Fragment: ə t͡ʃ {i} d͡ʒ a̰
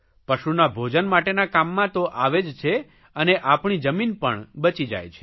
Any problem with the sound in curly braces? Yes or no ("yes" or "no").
no